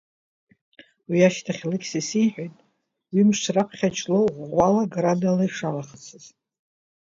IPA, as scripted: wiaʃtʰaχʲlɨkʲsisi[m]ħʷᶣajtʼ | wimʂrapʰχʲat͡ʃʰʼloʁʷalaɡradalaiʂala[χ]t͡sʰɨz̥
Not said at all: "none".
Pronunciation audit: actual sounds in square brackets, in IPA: none, χ

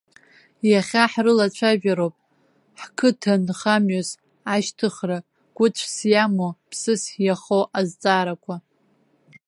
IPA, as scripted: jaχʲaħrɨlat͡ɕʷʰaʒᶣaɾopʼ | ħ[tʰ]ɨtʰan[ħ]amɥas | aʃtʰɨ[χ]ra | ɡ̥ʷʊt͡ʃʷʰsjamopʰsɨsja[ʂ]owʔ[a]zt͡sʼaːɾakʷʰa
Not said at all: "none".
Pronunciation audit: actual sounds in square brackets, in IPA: kʰ, χ, χ, χ, a

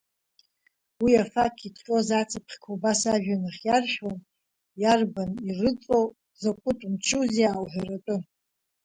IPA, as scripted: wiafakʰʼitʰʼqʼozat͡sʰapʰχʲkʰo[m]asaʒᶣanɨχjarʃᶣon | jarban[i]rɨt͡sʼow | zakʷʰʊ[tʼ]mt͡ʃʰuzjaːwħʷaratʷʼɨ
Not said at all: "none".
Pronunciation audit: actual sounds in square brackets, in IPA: b, i, tʼ

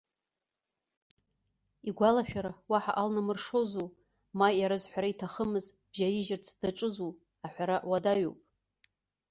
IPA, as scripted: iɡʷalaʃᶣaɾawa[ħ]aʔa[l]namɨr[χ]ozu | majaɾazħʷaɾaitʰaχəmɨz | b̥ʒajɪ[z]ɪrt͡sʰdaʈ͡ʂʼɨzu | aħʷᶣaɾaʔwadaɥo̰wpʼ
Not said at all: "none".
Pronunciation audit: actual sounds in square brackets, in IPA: ħ, l, ʂ, ʒ

